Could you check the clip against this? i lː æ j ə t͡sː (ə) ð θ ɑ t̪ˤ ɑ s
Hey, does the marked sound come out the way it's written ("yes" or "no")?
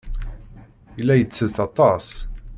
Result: yes